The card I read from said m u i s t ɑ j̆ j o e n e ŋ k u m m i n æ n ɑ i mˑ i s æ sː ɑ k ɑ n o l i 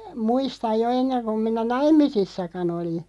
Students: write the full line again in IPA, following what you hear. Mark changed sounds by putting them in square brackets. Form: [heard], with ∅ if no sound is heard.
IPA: m u i s t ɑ j̆ j o e [nː] e ŋ k u m m i n æ n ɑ i mˑ i s [i] sː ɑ k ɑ n o l i